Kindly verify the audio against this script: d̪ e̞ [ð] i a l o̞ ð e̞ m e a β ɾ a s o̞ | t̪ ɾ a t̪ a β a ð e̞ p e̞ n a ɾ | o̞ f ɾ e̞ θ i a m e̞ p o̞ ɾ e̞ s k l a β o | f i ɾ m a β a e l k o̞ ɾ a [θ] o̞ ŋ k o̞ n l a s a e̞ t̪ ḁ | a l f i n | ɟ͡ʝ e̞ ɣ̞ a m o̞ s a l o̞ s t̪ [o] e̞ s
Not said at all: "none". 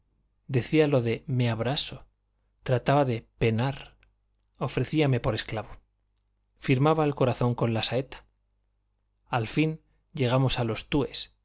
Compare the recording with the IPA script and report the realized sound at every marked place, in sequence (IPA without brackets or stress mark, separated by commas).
θ, θ, u